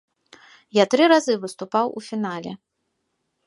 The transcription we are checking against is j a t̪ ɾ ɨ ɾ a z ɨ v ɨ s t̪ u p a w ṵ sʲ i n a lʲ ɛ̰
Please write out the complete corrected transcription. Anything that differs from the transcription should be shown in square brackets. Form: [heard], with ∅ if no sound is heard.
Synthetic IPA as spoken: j a t̪ ɾ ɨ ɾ a z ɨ v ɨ s t̪ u p a w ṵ [fʲ] i n a lʲ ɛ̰